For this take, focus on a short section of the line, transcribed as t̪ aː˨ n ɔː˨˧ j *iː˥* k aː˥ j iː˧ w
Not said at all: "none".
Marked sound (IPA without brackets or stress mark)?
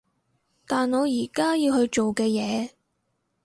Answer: iː˨˩